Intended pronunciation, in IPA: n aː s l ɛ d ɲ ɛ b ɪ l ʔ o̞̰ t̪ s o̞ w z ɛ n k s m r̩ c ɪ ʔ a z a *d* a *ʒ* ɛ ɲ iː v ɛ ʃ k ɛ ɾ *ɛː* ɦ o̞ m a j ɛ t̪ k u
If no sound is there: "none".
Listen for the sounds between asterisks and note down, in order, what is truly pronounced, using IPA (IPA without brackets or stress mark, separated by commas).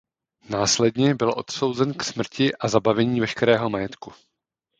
b, v, ɛː